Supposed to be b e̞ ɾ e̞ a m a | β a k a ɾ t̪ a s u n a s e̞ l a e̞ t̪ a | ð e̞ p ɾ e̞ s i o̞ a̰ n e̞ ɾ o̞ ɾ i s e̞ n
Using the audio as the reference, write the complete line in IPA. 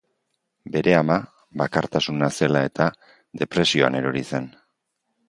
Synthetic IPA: b e̞ ɾ e̞ a m a | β a k a ɾ t̪ a s u n a s e̞ l a e̞ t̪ a | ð e̞ p ɾ e̞ s i o̞ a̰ n e̞ ɾ o̞ ɾ i s e̞ n